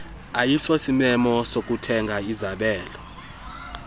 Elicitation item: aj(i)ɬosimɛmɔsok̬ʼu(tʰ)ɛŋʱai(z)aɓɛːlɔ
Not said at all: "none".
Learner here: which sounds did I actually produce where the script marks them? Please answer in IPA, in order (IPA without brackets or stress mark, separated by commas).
i, tʰ, z